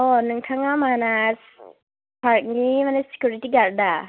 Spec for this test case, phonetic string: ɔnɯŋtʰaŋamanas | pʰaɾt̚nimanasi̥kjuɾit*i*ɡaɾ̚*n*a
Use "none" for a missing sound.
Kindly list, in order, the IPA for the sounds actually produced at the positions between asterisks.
i, d

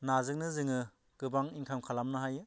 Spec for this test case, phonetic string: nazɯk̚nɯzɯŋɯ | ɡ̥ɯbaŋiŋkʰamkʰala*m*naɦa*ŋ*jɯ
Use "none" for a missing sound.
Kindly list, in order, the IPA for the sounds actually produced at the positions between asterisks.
m, none

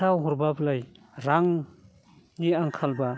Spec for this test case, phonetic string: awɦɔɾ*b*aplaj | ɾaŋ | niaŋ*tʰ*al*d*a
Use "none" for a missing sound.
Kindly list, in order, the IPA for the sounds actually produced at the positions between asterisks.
b, kʰ, b

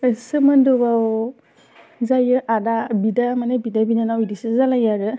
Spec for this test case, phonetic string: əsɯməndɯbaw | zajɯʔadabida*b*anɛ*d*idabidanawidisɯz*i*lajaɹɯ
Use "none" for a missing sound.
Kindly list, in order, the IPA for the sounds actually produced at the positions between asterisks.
m, b, a

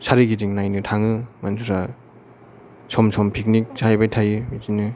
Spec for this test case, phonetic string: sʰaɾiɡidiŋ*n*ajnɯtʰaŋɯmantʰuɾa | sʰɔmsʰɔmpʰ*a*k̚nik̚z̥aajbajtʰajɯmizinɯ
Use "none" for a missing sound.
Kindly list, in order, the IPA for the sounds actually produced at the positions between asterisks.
n, i

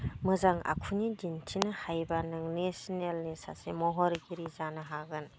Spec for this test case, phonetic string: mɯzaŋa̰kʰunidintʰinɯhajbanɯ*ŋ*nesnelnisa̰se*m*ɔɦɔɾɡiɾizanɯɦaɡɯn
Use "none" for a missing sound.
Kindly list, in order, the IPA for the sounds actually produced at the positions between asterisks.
ŋ, m

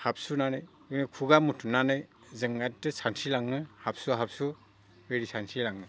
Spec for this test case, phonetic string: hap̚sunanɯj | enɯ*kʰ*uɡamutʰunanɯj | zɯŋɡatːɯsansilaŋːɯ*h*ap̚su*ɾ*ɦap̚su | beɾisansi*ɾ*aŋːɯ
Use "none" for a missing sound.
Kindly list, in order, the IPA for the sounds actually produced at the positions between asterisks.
kʰ, h, none, l

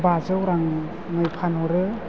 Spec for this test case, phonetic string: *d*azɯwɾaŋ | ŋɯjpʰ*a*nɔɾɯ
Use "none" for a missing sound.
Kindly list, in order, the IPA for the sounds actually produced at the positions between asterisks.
b, a

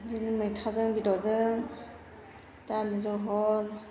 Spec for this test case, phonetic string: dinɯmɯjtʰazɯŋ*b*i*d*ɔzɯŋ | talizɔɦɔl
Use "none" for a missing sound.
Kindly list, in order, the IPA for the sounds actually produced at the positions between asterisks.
b, d

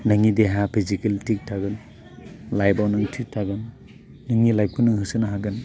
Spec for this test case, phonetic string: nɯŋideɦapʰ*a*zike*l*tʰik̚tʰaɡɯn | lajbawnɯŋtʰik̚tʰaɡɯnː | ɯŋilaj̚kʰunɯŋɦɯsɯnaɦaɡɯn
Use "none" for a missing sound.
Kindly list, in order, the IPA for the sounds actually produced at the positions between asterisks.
i, l

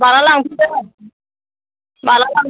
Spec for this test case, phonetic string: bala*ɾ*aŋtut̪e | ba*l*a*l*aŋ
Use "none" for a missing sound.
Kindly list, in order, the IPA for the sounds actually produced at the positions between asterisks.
l, l, l

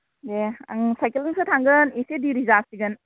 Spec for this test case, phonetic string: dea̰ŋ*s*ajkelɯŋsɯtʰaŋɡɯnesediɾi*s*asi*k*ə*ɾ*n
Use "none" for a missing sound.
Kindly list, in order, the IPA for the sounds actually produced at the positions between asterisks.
s, z, ɡ, none

